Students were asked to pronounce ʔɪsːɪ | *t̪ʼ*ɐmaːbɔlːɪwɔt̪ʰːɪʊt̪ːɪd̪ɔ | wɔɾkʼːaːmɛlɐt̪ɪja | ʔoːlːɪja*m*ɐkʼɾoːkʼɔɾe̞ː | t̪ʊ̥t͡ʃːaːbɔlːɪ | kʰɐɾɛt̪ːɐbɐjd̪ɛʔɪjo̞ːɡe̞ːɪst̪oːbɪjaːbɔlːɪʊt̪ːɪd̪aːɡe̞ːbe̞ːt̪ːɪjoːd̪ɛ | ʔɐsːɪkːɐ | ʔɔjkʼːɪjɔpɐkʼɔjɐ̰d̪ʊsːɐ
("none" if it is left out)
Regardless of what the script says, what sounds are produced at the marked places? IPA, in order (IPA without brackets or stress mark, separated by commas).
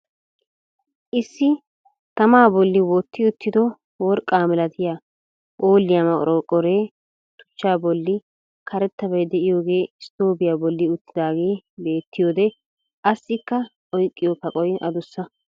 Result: t̪, m